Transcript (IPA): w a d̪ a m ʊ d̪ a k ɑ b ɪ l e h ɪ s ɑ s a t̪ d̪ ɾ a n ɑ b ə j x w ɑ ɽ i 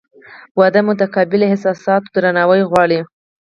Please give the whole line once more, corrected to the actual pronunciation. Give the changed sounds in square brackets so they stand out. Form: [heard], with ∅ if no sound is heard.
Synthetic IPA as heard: w a d̪ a m ʊ [t̪] a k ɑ b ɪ l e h ɪ s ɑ s [ɑ] t̪ d̪ ɾ a n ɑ [w] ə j [ɣ] w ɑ ɽ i